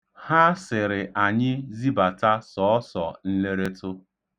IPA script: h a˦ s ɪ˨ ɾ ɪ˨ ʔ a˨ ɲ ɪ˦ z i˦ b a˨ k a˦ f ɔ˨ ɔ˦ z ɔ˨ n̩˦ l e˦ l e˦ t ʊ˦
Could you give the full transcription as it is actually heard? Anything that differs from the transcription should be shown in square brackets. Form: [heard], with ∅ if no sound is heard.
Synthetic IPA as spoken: h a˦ s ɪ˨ ɾ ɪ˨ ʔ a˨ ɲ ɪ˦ z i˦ b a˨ [t] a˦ [s] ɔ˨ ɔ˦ [s] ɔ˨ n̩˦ l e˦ [ɾ] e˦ t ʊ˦